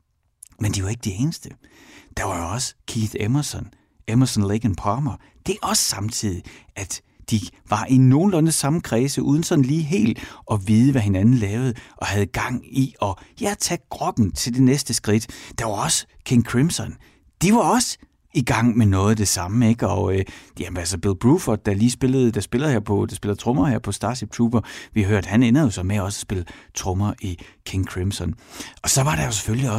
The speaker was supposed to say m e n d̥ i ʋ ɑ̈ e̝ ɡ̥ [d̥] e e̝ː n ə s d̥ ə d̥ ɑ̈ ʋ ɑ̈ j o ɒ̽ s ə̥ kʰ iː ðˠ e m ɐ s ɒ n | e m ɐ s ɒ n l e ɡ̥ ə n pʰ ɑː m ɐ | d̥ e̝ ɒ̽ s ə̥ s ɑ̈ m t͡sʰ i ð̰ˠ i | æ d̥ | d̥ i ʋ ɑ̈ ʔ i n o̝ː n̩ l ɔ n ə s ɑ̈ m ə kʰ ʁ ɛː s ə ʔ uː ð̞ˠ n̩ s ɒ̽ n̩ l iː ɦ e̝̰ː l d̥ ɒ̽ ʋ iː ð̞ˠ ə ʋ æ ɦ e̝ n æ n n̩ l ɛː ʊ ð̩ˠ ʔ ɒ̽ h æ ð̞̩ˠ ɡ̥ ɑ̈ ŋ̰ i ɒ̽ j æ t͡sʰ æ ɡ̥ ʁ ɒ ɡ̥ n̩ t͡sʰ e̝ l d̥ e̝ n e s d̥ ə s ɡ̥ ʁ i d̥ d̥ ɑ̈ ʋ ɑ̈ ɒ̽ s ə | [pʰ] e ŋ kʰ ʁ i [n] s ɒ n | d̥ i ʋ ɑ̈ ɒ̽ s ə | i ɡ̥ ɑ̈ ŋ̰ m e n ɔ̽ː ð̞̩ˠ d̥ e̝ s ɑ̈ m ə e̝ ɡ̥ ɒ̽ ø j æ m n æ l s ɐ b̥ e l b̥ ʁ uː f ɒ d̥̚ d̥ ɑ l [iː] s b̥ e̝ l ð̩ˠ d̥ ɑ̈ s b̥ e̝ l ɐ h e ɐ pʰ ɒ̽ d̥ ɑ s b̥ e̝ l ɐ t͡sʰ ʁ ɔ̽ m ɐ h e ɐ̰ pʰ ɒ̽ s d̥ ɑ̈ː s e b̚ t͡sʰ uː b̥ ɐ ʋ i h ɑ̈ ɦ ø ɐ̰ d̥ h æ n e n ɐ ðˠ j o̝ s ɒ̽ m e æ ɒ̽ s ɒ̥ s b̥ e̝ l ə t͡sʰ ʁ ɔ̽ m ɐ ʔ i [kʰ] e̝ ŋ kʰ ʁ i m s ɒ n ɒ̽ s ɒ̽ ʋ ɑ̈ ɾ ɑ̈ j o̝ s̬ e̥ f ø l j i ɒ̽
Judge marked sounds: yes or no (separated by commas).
yes, no, no, yes, yes